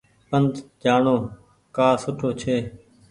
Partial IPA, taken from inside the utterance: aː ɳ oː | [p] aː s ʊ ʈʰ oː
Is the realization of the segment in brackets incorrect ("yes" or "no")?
yes